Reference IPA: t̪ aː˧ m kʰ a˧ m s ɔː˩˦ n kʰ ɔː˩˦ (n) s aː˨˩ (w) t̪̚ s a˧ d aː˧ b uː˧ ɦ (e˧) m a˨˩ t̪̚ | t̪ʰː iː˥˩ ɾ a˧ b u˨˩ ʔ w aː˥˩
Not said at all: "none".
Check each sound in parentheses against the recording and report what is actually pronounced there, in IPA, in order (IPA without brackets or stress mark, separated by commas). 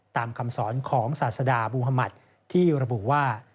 ŋ, none, a˧